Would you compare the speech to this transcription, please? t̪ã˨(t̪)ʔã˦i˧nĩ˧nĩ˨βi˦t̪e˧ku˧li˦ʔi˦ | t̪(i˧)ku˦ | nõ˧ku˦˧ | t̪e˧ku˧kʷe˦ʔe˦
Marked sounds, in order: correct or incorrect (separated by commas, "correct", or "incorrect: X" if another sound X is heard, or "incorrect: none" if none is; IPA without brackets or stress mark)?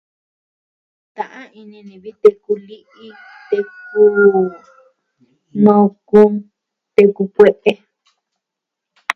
incorrect: none, incorrect: e˧